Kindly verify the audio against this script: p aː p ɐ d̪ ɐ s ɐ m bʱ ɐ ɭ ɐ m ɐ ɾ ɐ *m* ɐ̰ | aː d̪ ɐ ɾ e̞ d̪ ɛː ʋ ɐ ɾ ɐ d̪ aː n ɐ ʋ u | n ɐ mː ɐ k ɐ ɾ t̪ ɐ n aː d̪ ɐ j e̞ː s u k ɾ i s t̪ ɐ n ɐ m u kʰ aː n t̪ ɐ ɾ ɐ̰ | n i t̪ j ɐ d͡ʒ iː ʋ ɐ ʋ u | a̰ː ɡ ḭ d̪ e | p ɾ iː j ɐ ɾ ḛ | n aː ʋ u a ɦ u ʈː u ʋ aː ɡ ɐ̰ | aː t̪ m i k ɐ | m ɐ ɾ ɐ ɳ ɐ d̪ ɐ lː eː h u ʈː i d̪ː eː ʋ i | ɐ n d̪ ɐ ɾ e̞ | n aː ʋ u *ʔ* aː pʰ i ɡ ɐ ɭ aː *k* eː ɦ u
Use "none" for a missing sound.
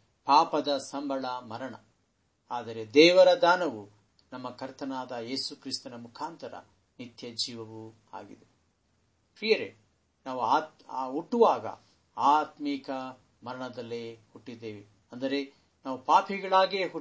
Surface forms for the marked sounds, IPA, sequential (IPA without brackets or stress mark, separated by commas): ɳ, p, ɡ